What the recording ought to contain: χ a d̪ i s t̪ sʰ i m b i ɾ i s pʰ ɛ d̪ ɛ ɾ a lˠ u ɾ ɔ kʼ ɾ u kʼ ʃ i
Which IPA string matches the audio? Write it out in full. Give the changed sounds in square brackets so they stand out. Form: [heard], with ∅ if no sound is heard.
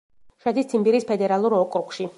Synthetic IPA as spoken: [ʃ] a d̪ i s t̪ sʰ i m b i ɾ i s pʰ ɛ d̪ ɛ ɾ a lˠ u ɾ ɔ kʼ ɾ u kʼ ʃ i